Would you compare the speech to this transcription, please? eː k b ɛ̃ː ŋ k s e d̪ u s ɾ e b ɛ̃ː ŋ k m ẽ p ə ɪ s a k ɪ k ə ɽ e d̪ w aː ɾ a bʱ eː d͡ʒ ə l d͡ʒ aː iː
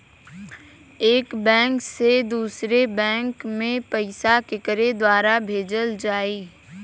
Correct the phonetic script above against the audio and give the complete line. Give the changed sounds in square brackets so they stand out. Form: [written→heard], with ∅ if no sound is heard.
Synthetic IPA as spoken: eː k b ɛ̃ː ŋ k s e d̪ [u→uː] s ɾ e b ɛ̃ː ŋ k m ẽ p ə ɪ s a k ɪ k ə [ɽ→ɾ] e d̪ w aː ɾ a bʱ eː d͡ʒ ə l d͡ʒ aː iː